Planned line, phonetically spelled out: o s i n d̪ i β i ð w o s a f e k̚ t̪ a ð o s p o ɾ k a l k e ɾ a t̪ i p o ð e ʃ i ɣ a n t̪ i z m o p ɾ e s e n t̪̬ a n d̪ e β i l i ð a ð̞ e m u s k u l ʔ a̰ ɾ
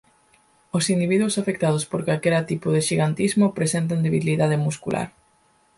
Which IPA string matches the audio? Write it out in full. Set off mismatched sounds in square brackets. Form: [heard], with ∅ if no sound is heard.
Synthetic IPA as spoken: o s i n d̪ i β i ð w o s a f e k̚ t̪ a ð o s p o ɾ k a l k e ɾ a t̪ i p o ð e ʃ i ɣ a n t̪ i z m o p ɾ e s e n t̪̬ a n d̪ e β i l i ð a ð̞ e m u s k u l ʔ a̰ ɾ